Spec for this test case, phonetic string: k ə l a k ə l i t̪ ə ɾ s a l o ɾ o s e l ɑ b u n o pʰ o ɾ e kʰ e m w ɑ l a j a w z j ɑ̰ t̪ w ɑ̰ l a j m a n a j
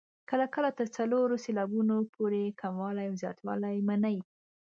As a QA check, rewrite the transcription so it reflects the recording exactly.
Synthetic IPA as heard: k ə l a k ə l a t̪ ə ɾ t͡s a l o ɾ o s e l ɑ b u n o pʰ o ɾ e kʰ a m w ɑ l a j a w z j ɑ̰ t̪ w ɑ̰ l a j m a n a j